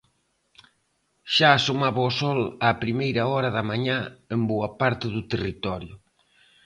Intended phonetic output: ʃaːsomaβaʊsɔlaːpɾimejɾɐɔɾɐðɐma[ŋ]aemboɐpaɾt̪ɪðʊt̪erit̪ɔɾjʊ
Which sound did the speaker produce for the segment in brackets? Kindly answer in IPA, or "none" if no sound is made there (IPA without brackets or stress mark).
ɲ